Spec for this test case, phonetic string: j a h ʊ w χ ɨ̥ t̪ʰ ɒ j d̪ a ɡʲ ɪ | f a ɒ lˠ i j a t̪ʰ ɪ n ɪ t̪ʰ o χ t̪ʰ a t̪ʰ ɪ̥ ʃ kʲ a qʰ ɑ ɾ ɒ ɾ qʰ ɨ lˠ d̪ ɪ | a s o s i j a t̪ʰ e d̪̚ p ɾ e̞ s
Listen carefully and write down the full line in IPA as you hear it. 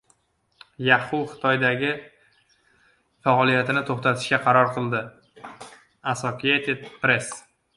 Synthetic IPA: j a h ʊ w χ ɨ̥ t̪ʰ ɒ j d̪ a ɡʲ ɪ | f a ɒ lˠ i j a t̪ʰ ɪ n ɪ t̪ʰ o χ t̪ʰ a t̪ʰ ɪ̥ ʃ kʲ a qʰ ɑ ɾ ɒ ɾ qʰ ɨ lˠ d̪ ɪ | a s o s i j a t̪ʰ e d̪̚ p ɾ e̞ s